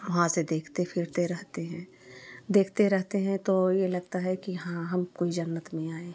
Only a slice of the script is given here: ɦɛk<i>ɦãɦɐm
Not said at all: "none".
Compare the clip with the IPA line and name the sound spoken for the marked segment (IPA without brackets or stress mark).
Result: i